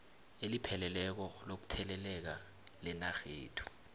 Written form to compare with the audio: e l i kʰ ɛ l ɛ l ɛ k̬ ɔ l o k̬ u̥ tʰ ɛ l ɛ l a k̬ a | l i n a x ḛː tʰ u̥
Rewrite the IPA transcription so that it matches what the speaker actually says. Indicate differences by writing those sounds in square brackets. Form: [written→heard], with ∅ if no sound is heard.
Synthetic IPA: e l i [kʰ→pʰ] ɛ l ɛ l ɛ k̬ ɔ l o k̬ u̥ tʰ ɛ l ɛ l [a→ɛ] k̬ a | l [i→ɛ] n a x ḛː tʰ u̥